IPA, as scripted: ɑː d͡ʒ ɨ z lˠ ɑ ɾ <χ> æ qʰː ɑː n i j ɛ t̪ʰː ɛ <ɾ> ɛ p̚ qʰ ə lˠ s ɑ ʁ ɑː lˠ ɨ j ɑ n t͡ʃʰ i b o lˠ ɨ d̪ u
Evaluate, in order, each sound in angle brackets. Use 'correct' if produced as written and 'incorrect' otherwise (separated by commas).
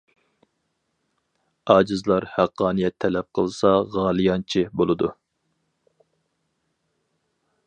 incorrect, incorrect